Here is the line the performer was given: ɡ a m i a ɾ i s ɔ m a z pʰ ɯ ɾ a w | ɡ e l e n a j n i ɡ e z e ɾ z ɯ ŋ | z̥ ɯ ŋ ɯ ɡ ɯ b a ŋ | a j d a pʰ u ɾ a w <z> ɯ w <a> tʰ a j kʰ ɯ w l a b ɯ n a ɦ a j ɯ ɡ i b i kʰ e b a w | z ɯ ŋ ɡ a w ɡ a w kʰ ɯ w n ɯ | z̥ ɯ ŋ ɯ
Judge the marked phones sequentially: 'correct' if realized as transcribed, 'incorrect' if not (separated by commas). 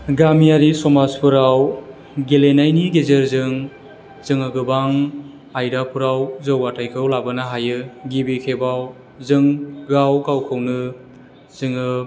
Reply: correct, correct